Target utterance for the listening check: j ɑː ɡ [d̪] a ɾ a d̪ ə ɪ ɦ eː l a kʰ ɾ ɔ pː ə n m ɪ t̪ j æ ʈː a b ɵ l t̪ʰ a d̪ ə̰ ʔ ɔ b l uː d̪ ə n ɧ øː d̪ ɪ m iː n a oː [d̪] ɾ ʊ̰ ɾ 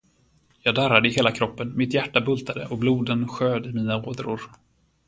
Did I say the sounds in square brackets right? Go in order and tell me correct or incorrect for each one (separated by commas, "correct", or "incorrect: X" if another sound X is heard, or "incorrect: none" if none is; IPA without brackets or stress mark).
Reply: correct, correct